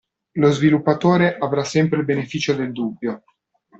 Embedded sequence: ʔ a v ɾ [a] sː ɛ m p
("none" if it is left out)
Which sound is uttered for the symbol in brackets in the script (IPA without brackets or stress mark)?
a